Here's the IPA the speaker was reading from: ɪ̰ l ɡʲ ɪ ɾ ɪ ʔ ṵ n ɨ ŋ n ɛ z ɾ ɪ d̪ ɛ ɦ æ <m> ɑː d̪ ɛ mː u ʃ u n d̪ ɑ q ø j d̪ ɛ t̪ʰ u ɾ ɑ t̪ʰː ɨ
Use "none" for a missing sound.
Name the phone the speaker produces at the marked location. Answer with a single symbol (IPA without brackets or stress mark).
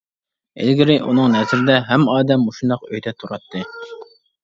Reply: m